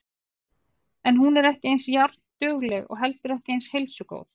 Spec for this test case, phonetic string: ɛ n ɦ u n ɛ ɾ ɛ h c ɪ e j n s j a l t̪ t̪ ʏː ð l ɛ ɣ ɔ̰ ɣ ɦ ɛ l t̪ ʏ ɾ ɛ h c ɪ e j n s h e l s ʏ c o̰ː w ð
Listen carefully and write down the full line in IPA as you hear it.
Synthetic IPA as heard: ɛ n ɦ u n ɛ ɾ ɛ h c ɪ e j n s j a ɾ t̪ t̪ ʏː ɣ l ɛ ɣ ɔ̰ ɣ ɦ ɛ l t̪ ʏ ɾ ɛ h c ɪ e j n s h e l s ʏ k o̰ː w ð